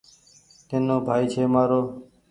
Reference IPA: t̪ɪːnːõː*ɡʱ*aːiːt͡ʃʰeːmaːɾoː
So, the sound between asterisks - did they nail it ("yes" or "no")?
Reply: no